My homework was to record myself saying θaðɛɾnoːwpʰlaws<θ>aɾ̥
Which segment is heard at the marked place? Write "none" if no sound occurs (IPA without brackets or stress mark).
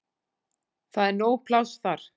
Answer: θ